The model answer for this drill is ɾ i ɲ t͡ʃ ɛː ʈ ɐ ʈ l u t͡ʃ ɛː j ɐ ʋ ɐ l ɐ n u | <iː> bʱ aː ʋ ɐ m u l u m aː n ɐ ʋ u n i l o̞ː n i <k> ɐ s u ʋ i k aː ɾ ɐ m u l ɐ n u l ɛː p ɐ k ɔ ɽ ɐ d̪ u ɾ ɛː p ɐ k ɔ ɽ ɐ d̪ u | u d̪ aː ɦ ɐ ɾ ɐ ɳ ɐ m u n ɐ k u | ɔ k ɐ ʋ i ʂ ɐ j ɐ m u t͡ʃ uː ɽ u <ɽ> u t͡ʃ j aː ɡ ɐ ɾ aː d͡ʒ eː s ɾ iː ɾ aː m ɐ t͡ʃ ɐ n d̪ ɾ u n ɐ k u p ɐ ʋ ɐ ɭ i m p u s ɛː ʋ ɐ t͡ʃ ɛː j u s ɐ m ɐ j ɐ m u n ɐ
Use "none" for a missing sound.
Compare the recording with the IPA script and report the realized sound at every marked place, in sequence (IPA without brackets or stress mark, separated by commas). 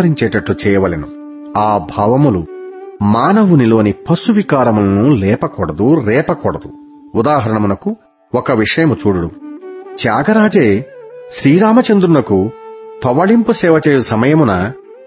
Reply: aː, p, ɽ